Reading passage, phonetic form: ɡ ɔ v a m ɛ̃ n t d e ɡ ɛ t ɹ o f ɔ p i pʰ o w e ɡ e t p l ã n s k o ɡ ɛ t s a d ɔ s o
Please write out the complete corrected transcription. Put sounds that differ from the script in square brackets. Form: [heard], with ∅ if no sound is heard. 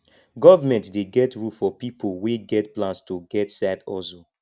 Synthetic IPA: ɡ ɔ v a m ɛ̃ n t d e ɡ ɛ t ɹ [u] f ɔ p i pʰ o w e ɡ [ɛ] t p l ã n s [t] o ɡ ɛ t s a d ɔ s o